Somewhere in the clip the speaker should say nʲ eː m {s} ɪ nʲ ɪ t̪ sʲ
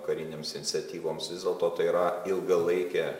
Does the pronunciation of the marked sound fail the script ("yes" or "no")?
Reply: no